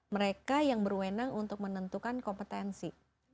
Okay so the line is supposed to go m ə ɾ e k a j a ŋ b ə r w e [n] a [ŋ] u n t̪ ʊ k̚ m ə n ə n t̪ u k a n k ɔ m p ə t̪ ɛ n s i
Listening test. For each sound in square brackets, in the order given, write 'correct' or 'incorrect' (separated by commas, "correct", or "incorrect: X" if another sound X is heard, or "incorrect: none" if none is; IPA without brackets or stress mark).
correct, correct